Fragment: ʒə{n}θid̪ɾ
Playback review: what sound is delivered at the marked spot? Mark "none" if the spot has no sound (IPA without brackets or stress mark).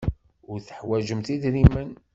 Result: m